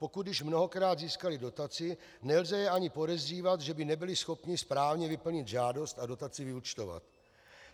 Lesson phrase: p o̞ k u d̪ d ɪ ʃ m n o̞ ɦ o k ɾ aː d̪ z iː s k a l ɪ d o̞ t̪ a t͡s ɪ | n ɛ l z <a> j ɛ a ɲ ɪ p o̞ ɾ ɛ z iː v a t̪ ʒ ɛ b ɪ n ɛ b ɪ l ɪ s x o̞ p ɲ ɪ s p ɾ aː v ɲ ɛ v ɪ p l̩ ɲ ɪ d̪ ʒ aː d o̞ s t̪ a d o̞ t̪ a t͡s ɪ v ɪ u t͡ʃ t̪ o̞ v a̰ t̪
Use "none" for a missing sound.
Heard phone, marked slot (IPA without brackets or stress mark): ɛ